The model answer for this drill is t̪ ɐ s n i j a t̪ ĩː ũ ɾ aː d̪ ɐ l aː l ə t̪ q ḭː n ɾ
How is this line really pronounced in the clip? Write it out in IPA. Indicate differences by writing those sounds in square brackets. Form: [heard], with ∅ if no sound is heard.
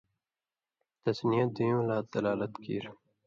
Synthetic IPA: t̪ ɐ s n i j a [d̪] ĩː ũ [l] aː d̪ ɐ l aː l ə t̪ [k] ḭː [∅] ɾ